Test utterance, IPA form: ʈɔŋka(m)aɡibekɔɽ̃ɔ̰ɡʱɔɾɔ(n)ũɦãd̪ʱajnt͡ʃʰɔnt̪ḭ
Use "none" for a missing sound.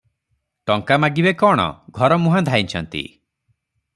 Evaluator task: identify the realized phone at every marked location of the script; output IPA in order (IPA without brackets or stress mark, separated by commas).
m, m